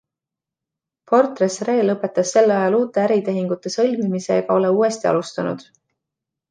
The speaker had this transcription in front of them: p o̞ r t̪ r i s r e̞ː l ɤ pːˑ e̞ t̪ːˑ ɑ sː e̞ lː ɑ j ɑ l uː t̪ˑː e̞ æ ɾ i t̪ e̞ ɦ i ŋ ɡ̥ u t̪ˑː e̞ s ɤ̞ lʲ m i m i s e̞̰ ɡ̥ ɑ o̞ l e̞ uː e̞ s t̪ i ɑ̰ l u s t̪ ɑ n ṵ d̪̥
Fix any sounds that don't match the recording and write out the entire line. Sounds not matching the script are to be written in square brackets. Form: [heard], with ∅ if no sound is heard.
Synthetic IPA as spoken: p o̞ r t̪ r [e] s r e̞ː l ɤ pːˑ e̞ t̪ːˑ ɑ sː e̞ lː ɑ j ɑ l uː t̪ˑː e̞ æ ɾ i t̪ e̞ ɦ i ŋ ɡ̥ u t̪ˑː e̞ s ɤ̞ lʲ m i m i s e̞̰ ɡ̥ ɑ o̞ l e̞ uː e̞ s t̪ i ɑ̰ l u s t̪ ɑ n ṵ d̪̥